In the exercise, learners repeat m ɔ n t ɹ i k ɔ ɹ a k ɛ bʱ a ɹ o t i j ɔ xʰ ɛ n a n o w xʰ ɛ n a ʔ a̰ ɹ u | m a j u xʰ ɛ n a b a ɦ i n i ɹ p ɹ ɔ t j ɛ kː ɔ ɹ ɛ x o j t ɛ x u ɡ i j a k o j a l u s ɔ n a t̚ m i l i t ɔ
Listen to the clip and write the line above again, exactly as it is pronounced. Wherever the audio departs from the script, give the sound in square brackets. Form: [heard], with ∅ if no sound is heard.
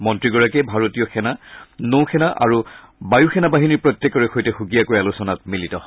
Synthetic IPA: m ɔ n t ɹ i [ɡ] ɔ ɹ a k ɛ bʱ a ɹ o t i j ɔ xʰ ɛ n a n o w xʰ ɛ n a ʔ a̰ ɹ u | [b] a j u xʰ ɛ n a b a ɦ i n i ɹ p ɹ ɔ t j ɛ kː ɔ ɹ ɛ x o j t ɛ x u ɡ i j a k o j a l u s ɔ n a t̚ m i l i t ɔ